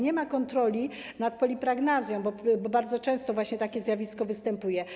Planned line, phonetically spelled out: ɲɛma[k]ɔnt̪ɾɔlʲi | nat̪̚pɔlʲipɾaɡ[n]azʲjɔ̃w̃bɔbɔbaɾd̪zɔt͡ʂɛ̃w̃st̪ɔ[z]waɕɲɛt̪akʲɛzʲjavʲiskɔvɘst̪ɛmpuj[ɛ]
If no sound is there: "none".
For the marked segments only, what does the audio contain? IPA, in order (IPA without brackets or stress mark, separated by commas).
k, n, v, ɛ